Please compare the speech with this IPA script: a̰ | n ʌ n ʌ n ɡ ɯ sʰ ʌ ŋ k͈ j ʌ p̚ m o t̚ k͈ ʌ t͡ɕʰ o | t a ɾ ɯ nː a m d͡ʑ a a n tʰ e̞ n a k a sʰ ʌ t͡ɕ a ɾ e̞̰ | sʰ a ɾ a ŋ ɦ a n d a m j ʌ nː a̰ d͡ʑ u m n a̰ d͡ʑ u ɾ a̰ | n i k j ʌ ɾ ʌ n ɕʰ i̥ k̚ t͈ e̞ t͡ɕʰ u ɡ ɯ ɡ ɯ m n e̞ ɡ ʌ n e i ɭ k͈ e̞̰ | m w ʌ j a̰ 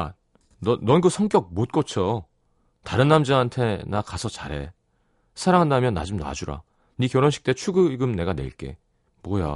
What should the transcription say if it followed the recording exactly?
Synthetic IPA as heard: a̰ | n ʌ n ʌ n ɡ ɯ sʰ ʌ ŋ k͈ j ʌ k̚ m o t̚ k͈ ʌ t͡ɕʰ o | t a ɾ ɯ nː a m d͡ʑ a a n tʰ e̞ n a k a sʰ ʌ t͡ɕ a ɾ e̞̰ | sʰ a ɾ a ŋ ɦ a n d a m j ʌ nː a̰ d͡ʑ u m n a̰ d͡ʑ u ɾ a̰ | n i k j ʌ ɾ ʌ n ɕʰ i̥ k̚ t͈ e̞ t͡ɕʰ u ɡ ɯ ɡ ɯ m n e̞ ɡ a n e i ɭ k͈ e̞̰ | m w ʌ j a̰